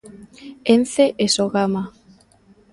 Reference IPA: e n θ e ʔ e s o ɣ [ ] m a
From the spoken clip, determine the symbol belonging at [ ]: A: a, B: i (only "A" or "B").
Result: A